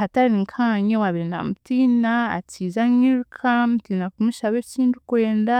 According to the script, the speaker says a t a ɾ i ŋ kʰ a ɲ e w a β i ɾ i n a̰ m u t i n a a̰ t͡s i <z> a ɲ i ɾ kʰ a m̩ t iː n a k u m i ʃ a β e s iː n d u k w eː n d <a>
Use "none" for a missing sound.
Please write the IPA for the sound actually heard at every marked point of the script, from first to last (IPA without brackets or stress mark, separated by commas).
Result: z, a